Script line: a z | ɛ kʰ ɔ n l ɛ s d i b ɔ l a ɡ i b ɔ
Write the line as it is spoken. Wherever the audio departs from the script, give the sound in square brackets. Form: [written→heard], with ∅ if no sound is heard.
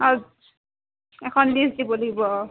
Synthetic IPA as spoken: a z | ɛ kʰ ɔ n l [ɛ→i] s d i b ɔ l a ɡ i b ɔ

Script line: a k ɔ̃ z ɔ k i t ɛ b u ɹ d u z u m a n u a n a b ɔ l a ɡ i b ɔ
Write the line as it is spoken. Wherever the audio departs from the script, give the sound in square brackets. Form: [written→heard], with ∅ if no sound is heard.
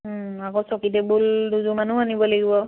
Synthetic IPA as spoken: a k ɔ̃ [z→s] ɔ k i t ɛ b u [ɹ→l] d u z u m a n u a n [a→i] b ɔ l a ɡ i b ɔ

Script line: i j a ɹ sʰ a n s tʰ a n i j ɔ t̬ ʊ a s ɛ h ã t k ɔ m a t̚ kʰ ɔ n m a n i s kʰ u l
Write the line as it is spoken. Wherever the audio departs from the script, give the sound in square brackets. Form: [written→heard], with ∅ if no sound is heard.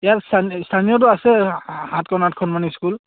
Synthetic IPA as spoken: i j a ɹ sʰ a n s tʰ a n i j ɔ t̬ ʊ a s ɛ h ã t k ɔ [m→n] a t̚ kʰ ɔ n m a n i s [kʰ→k] u l

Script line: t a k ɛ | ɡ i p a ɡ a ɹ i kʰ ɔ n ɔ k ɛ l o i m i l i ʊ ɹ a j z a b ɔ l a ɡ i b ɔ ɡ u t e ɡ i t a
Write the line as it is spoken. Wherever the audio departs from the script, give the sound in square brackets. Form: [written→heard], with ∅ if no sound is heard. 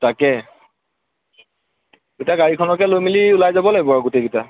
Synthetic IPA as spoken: t a k ɛ | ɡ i [p→t] a ɡ a ɹ i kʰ ɔ n ɔ k ɛ l o [i→j] m i l i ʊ [ɹ→l] a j z a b ɔ l a ɡ i b ɔ ɡ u t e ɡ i t a

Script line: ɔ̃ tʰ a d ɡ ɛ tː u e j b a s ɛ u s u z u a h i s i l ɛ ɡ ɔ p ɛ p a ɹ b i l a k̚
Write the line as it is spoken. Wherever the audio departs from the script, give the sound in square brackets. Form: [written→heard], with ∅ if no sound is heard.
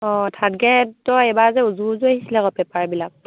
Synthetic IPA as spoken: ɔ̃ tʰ a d ɡ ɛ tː [u→ɔ] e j b a [s→z] ɛ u [s→z] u z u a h i s i l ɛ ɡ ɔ p ɛ p a ɹ b i l a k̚

